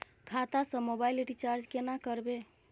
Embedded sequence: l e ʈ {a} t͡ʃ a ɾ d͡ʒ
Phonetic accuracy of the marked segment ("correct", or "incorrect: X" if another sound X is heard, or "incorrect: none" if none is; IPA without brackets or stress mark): incorrect: i